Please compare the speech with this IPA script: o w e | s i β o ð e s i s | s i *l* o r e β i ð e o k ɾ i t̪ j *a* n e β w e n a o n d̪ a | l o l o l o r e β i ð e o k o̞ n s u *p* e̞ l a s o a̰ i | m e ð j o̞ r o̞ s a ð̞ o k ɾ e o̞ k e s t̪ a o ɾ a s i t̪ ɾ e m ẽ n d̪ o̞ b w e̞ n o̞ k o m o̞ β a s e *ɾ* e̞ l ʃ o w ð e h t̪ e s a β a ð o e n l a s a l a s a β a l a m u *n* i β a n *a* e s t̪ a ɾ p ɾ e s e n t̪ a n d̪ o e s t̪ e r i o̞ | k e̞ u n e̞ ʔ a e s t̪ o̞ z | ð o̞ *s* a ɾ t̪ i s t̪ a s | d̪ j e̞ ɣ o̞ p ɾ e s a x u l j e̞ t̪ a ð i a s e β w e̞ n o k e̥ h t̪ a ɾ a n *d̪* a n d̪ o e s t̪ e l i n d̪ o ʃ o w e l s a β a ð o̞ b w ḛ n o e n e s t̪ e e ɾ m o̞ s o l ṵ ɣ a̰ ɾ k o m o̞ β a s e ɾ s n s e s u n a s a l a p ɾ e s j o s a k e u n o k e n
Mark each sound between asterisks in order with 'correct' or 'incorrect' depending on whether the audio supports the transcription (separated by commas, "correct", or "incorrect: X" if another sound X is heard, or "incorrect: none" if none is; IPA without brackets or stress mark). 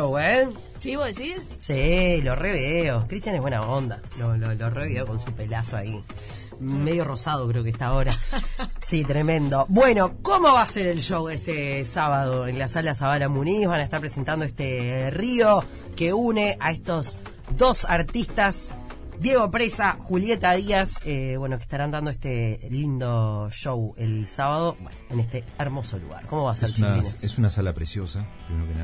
correct, correct, correct, correct, correct, correct, correct, correct